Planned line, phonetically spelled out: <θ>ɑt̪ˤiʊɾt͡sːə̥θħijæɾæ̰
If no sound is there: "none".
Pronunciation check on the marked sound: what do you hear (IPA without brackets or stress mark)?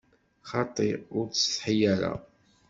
χ